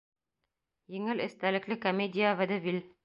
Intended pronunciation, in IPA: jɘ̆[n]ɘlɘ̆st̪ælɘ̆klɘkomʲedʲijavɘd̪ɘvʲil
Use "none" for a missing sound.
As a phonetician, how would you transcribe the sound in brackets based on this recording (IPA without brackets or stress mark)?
ŋ